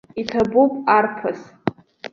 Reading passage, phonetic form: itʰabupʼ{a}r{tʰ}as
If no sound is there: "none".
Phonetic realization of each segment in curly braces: a, pʰ

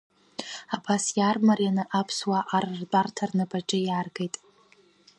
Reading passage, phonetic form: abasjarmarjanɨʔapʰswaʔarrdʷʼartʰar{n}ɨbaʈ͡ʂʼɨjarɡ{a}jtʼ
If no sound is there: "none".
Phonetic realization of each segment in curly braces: n, e

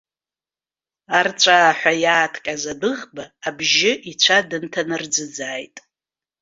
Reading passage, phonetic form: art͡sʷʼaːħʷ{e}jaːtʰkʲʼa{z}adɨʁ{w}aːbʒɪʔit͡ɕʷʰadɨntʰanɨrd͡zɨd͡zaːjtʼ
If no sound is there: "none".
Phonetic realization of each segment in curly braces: a, z, b

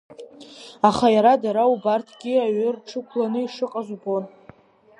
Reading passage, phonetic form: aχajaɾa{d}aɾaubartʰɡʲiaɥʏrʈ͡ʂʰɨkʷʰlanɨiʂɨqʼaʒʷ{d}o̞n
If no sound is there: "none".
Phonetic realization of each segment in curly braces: d, b

